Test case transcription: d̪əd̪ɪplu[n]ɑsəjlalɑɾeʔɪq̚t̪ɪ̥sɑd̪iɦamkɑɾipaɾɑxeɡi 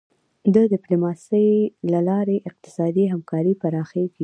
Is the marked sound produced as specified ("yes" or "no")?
no